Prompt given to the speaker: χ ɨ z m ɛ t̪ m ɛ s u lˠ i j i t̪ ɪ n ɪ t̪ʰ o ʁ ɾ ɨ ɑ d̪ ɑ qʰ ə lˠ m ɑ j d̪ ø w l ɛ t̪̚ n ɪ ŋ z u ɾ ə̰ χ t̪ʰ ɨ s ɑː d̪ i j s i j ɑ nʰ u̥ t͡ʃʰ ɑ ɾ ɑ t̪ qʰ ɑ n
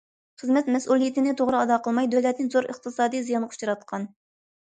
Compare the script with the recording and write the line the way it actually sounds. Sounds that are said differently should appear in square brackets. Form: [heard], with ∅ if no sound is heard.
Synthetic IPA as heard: χ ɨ z m ɛ t̪ m ɛ s u lˠ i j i t̪ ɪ n ɪ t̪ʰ o ʁ ɾ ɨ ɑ d̪ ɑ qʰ ə lˠ m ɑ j d̪ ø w l ɛ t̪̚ n ɪ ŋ z [o] ɾ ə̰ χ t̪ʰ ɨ s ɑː d̪ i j [z] i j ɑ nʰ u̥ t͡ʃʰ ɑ ɾ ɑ t̪ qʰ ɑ n